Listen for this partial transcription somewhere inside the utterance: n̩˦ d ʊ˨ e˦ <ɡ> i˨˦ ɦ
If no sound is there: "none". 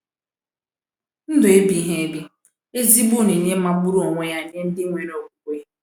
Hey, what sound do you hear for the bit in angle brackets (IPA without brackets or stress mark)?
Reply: b